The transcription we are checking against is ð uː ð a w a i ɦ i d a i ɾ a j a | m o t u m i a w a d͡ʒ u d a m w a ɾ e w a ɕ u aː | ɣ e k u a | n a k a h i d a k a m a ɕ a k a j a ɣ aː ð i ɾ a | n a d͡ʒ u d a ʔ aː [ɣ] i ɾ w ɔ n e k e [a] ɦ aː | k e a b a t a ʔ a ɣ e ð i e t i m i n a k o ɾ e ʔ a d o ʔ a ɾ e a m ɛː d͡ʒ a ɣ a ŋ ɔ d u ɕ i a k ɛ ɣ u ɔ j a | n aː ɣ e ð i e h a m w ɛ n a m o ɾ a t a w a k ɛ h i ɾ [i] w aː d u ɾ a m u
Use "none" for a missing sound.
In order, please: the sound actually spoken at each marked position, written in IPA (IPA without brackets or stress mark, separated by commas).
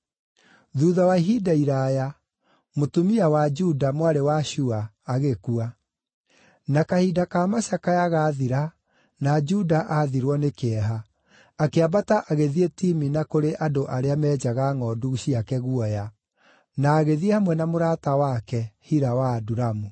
ð, ɛ, a